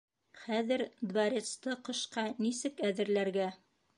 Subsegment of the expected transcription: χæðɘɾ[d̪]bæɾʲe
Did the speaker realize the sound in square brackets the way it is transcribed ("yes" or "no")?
yes